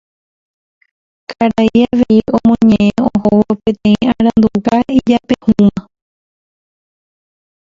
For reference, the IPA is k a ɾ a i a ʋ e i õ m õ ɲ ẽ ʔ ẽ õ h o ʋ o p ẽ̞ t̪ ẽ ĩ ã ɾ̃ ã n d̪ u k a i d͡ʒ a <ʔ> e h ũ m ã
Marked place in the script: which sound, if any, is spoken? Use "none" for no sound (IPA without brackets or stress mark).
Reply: p